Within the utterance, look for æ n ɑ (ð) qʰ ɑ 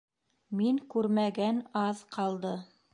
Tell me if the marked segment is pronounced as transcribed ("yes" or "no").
yes